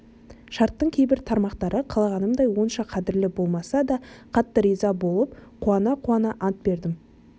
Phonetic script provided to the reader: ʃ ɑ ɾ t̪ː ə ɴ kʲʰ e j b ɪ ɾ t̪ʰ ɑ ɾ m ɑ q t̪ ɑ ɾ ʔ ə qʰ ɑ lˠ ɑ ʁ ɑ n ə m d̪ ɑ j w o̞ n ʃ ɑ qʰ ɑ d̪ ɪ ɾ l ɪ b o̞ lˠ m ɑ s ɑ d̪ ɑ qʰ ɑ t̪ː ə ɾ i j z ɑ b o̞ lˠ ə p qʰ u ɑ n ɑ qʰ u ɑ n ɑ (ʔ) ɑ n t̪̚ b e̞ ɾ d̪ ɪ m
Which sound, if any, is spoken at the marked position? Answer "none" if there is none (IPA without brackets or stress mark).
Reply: ʔ